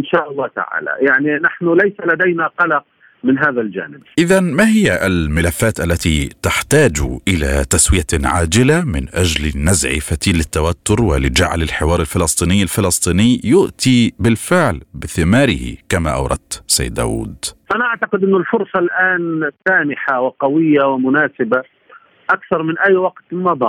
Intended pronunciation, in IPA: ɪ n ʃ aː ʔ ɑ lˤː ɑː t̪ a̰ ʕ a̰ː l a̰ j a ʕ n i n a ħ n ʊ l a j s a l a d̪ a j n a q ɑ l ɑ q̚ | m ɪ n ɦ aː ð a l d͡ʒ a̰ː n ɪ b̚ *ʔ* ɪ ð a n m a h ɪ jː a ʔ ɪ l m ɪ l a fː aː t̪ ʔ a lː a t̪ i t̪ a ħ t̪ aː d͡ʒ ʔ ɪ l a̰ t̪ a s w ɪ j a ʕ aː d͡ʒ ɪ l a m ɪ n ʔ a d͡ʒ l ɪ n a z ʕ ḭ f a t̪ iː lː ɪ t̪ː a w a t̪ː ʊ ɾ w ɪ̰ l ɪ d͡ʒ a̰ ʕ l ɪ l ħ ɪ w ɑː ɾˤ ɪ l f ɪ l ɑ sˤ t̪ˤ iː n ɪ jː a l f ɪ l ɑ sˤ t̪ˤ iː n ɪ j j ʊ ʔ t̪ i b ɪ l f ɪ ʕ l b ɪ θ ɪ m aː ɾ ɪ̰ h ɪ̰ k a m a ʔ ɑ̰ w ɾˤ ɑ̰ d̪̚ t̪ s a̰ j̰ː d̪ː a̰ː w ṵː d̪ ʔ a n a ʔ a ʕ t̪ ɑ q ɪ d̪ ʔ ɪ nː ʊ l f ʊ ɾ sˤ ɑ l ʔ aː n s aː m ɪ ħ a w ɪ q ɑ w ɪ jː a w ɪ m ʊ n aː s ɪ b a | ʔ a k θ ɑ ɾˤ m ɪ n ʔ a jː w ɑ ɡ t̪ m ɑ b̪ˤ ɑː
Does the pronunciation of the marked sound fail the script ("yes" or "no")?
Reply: no